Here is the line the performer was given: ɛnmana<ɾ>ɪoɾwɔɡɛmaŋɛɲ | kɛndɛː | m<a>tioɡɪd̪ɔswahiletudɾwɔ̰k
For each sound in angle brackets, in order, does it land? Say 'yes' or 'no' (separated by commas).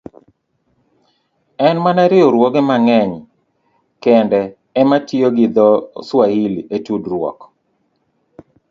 yes, yes